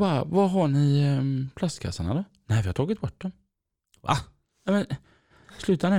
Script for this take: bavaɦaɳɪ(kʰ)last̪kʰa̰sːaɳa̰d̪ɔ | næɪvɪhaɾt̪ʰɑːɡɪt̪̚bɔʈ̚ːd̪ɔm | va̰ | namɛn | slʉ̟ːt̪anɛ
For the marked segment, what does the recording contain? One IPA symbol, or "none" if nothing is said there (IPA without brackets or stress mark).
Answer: pʰ